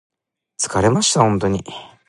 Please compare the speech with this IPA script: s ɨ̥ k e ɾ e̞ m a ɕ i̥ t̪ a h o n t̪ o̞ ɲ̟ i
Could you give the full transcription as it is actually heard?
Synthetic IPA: t͡s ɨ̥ k a ɾ e̞ m a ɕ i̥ t̪ a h õ n t̪ o̞ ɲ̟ i